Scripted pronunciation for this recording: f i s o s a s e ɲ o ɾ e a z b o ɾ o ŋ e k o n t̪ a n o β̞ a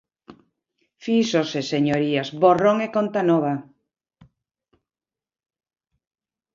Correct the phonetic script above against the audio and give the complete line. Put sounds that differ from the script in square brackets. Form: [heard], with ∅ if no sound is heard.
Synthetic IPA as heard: f i s o s [e] s e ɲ o ɾ [i] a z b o [r] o ŋ e k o n t̪ a n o β̞ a